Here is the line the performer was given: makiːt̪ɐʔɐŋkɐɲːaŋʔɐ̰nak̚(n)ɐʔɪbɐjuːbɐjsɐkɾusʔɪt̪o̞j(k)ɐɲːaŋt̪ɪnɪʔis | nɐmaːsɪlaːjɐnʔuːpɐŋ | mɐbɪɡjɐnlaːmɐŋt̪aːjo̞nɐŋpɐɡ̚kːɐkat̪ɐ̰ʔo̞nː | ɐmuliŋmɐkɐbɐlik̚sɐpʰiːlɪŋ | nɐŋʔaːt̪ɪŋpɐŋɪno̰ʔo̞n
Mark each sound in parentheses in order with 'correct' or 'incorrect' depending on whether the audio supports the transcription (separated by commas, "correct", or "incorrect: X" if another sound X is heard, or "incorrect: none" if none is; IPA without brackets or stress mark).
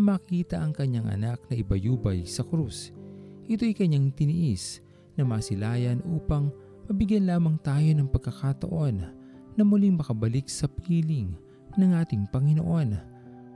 correct, correct